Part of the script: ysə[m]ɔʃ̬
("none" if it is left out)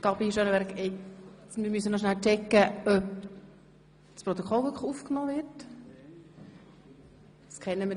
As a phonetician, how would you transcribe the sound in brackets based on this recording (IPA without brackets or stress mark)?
n